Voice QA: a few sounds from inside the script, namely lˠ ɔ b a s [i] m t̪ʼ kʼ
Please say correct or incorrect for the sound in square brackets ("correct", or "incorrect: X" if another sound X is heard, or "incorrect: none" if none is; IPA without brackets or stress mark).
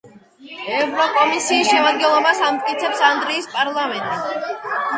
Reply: incorrect: a